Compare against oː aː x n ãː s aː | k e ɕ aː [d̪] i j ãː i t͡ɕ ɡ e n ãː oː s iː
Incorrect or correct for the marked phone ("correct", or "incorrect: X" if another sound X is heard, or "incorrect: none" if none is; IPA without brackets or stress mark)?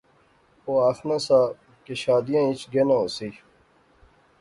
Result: correct